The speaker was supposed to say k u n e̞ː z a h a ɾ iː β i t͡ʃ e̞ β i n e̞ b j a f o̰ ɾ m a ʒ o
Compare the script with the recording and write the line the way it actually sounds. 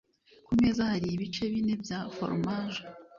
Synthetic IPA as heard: k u m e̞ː z a h a ɾ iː β i t͡ʃ e̞ β i n e̞ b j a f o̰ ɾ m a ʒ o